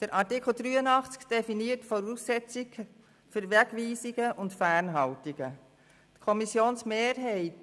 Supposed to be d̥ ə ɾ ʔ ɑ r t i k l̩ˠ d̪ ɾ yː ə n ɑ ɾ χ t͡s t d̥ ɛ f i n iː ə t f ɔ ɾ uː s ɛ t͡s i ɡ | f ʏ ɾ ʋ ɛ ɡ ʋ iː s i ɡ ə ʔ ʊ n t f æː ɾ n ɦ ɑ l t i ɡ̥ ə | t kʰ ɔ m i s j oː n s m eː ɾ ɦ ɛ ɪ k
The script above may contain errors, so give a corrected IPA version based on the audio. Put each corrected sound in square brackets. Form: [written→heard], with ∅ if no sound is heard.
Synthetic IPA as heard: d̥ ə ɾ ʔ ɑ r t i k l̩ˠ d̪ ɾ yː ə n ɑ [ɾ→∅] χ t͡s [t→k] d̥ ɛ f i n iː ə t f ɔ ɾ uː s ɛ t͡s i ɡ | f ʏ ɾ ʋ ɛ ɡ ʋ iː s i ɡ ə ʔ ʊ n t f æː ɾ n ɦ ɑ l t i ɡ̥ ə | t kʰ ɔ m i s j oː n s m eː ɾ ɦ ɛ ɪ [k→t]